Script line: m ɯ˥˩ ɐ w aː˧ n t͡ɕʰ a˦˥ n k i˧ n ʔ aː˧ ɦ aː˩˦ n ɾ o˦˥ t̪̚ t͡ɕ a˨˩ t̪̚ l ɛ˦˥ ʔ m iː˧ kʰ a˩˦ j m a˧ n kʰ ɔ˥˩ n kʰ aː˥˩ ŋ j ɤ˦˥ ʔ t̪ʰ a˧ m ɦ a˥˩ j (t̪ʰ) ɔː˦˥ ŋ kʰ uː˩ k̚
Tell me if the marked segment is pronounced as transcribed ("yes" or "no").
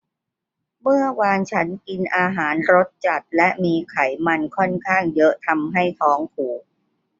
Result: yes